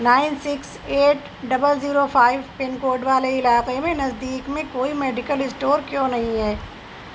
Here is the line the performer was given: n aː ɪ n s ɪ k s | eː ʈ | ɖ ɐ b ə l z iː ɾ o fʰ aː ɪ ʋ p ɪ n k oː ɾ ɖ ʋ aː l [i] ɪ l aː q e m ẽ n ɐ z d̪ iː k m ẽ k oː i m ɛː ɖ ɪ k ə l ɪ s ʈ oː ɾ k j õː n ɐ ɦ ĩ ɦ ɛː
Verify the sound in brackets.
incorrect: e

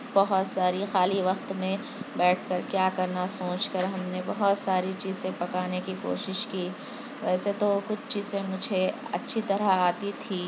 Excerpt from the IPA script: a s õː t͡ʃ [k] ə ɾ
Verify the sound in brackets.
correct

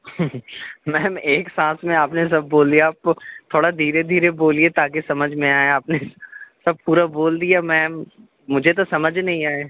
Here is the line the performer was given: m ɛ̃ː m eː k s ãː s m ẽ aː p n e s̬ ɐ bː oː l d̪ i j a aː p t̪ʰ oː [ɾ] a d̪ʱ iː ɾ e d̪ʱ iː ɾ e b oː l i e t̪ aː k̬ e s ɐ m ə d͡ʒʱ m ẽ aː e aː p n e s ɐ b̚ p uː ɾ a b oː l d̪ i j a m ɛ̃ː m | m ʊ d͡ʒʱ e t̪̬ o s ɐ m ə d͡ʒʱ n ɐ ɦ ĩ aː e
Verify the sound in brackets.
incorrect: ɽ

